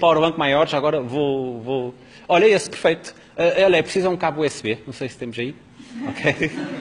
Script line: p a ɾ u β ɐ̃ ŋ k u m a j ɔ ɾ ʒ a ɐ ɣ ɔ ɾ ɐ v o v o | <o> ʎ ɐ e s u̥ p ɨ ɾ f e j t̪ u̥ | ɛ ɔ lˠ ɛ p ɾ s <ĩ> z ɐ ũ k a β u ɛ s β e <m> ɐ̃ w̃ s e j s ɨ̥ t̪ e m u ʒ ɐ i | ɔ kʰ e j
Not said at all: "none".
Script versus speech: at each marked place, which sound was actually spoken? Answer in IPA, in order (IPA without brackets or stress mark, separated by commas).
ɔ, i, n